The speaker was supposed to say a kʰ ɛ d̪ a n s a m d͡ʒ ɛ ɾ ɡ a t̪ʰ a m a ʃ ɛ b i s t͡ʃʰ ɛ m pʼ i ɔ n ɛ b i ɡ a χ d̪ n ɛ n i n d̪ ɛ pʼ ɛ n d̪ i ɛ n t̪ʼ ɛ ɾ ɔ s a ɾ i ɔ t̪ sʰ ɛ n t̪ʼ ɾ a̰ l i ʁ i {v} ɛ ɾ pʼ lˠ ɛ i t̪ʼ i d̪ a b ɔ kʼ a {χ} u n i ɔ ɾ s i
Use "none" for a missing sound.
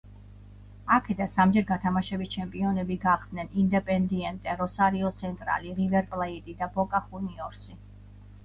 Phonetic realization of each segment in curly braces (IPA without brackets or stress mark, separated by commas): v, χ